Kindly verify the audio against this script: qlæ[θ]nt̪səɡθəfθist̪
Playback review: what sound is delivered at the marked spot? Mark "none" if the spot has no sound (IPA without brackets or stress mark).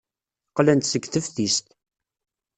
none